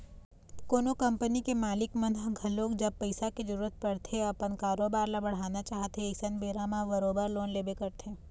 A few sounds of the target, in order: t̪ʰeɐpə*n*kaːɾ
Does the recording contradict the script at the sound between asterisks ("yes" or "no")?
no